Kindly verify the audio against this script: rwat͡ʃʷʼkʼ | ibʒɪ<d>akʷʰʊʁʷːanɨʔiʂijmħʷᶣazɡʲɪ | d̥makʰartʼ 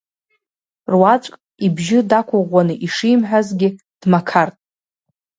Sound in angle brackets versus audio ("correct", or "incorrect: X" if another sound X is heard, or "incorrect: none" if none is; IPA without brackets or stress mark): correct